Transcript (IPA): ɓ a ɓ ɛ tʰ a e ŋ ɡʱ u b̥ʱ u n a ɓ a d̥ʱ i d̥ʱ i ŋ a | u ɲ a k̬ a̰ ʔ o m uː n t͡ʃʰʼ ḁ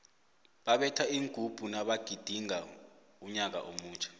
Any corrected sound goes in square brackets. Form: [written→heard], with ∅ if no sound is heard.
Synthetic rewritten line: ɓ a ɓ ɛ tʰ a [e→i] ŋ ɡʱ u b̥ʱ u n a ɓ a [d̥ʱ→ɡ̥ʱ] i d̥ʱ i ŋ a | u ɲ a k̬ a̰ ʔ o m uː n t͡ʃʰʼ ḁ